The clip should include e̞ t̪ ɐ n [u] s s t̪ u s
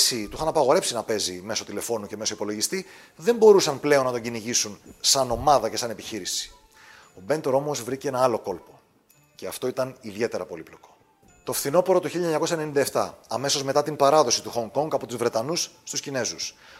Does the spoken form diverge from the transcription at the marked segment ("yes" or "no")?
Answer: no